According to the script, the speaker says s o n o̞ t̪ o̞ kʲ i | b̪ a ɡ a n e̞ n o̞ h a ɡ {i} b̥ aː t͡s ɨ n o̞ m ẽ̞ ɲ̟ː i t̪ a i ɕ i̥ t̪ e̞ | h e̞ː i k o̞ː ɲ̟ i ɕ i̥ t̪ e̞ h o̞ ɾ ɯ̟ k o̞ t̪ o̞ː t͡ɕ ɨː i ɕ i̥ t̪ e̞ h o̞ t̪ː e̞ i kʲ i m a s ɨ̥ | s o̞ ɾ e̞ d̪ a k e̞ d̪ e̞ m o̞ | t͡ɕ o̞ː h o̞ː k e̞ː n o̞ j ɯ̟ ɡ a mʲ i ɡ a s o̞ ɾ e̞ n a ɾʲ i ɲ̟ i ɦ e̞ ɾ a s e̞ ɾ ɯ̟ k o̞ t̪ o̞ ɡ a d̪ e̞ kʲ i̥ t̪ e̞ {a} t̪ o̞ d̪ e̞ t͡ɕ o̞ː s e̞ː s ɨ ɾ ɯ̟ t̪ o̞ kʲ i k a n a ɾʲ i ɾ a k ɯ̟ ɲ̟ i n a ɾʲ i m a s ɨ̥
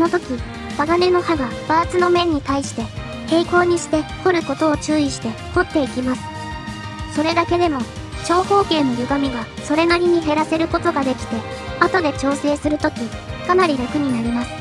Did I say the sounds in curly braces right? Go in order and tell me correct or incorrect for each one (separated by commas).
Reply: incorrect, correct